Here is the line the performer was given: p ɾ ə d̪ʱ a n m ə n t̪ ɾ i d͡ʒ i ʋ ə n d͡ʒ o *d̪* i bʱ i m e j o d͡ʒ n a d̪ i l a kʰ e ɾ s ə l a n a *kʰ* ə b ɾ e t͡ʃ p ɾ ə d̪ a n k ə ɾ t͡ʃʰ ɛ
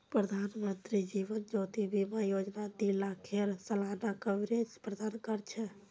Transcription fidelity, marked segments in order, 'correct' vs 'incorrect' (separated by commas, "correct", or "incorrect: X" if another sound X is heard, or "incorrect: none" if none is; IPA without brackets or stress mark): incorrect: t̪, incorrect: k